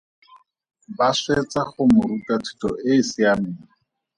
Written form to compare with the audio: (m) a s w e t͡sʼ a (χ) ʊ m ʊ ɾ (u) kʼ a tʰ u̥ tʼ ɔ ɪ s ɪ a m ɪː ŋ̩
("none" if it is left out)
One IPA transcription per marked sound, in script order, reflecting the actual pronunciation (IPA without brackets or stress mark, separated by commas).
b, χ, u